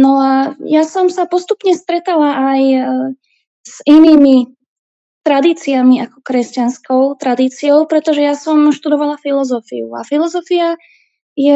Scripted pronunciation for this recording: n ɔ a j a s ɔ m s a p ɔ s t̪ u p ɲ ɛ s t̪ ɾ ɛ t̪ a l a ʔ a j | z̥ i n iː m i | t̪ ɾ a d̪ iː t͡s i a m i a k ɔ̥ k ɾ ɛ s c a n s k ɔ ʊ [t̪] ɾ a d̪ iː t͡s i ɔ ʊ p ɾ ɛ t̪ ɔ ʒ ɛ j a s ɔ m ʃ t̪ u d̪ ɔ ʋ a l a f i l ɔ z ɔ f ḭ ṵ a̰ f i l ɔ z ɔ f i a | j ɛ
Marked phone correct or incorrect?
correct